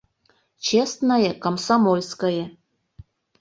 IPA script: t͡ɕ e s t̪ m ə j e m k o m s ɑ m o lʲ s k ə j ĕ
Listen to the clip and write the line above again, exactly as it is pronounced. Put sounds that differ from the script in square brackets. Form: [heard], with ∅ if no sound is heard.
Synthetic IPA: t͡ɕ e s t̪ [n] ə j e [∅] k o m s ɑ m o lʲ s k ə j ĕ

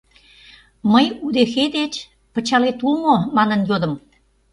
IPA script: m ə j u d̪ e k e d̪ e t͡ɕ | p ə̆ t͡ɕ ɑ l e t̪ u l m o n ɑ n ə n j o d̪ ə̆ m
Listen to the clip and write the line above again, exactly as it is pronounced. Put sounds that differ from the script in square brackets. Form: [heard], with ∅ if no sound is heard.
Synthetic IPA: m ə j u d̪ e [x] e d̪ e t͡ɕ | p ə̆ t͡ɕ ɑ l e t̪ u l m o [m] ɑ n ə n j o d̪ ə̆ m

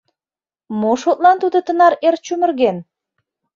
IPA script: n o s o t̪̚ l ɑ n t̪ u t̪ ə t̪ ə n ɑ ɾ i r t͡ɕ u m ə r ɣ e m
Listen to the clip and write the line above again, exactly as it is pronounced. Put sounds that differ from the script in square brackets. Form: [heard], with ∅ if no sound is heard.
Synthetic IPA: [m] o [ʃ] o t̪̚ l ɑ n t̪ u [d̪] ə t̪ ə n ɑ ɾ [e] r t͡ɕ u m ə r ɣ e [n]

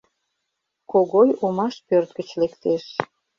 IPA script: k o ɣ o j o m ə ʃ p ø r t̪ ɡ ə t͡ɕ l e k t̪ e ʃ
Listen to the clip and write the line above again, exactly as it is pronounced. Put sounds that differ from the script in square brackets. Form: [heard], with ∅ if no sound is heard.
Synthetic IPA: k o ɣ o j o m [ɑ] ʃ p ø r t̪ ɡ ə t͡ɕ l e k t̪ e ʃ

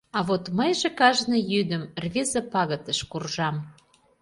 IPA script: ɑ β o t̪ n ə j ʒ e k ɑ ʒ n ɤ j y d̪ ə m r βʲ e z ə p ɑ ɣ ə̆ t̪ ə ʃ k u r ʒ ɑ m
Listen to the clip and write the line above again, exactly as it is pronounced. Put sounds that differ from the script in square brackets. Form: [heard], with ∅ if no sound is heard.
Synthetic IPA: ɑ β o t̪ [m] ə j ʒ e k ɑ ʒ n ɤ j y d̪ ə m r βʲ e z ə p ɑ ɣ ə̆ t̪ ə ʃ k u r ʒ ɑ m

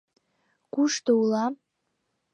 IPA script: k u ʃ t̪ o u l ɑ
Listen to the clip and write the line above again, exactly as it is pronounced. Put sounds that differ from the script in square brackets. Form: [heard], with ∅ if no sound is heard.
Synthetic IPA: k u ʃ t̪ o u l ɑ

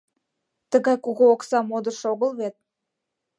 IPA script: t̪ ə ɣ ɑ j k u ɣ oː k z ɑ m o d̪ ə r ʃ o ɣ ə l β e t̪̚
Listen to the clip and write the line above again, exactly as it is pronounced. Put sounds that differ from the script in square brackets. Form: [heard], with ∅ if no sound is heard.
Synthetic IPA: t̪ ə ɣ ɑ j k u ɣ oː k [s] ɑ m o d̪ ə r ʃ o ɣ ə l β e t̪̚

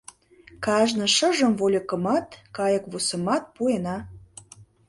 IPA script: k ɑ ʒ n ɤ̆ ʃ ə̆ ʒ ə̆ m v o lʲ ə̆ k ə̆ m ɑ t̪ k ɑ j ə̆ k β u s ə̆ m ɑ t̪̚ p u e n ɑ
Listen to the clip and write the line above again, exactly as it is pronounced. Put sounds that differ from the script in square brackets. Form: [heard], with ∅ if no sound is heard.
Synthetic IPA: k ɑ ʒ n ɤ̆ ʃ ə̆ ʒ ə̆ m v o lʲ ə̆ k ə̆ m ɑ t̪ k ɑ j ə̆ k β u s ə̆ m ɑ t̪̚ p u e n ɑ

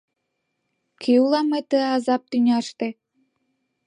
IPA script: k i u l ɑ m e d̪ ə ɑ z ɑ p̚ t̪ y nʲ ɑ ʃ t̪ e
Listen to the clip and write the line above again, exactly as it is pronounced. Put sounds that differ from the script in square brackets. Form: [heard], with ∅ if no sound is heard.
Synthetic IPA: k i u l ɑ m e [t̪] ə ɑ z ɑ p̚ t̪ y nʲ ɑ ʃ t̪ e

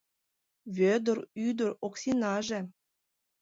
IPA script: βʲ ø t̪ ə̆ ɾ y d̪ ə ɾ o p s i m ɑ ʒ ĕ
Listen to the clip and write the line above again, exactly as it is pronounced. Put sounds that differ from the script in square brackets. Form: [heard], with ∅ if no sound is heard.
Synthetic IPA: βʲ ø [d̪] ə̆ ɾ y d̪ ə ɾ o [k] s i [n] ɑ ʒ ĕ

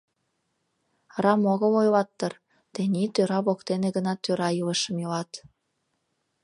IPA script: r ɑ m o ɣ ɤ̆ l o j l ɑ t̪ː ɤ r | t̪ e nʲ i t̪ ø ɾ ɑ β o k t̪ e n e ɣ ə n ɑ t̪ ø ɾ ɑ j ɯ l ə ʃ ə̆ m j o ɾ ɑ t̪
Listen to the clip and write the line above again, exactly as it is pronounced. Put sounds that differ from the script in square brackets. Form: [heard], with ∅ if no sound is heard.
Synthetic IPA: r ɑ m o ɣ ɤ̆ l o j l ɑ t̪ː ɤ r | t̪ e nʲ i t̪ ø ɾ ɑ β o k t̪ e n e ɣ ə n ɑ t̪ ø ɾ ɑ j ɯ l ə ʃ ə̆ m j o [l] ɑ t̪

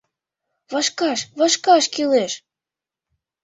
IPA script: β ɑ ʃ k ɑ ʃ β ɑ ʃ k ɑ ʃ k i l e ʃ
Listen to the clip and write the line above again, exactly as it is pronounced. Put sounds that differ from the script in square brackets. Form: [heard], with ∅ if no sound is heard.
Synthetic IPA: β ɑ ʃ k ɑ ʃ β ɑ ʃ k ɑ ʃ k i l e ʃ

